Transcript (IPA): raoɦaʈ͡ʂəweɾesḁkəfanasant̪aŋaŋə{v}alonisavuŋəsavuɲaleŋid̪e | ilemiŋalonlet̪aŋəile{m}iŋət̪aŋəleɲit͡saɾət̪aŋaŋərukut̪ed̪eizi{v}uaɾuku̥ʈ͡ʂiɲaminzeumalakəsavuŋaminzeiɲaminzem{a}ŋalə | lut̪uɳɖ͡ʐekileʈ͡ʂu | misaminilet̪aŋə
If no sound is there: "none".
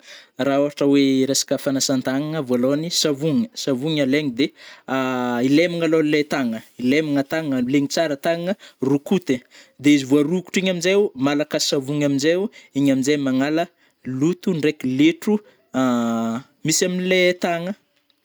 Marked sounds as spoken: v, m, v, a

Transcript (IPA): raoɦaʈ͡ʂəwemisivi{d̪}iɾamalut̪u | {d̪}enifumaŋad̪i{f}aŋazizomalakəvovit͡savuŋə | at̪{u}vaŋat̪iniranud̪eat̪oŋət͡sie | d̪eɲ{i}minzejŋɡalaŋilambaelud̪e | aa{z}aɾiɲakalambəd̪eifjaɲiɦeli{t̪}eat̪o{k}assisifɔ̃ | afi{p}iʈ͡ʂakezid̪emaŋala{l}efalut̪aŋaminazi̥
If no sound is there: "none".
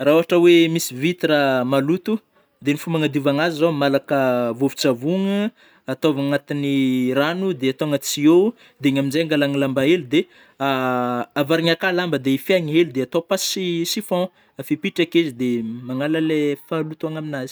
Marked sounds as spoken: t̪, d̪, v, o, a, v, d̪, p, p, l

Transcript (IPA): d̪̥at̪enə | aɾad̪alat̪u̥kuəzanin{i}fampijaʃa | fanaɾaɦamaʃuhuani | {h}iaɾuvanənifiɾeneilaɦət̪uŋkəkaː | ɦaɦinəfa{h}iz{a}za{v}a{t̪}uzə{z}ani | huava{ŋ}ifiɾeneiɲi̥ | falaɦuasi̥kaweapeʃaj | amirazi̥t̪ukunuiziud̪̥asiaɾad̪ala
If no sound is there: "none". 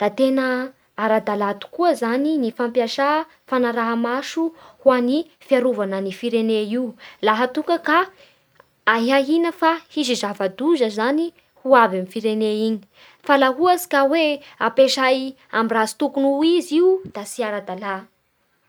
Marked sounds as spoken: i, f, h, i, v, d̪, z, m

